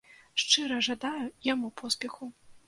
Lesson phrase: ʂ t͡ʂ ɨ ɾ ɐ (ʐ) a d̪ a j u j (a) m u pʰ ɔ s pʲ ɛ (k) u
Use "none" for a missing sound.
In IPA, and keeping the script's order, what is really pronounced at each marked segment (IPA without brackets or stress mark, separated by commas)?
ʐ, a, x